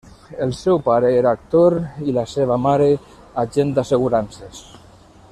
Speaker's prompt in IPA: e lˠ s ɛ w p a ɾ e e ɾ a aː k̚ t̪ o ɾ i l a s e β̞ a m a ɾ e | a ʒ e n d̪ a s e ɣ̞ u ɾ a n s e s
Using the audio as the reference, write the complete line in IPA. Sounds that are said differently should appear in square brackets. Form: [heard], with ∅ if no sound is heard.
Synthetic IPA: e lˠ s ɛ w p a ɾ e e ɾ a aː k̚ t̪ o ɾ i l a s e β̞ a m a ɾ e | a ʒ e n d̪ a s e ɣ̞ u ɾ a n s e s